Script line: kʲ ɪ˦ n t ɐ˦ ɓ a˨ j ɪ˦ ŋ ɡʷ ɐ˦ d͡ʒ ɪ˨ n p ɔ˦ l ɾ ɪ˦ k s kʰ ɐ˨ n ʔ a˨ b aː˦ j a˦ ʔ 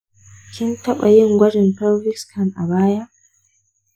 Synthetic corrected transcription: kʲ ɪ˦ n t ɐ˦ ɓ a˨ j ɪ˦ ŋ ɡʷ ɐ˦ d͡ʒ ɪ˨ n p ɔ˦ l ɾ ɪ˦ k s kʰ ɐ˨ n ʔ a˨ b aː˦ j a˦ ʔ